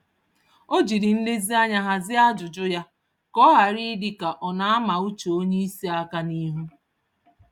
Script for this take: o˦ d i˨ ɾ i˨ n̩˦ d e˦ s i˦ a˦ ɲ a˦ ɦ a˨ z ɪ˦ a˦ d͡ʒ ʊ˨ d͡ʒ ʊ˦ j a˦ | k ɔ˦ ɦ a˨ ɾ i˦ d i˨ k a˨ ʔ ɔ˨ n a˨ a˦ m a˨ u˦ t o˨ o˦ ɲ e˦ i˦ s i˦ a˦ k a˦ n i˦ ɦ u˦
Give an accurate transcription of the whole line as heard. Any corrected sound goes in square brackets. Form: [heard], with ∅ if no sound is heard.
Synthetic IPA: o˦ [d͡ʒ] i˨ ɾ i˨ n̩˦ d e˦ [z] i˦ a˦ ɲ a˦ ɦ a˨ z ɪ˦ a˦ d͡ʒ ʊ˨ d͡ʒ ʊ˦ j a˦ | k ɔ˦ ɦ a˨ ɾ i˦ d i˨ k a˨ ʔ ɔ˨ n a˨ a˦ m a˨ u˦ [t͡ʃ] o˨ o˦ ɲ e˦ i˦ s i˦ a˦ k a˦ n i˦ ɦ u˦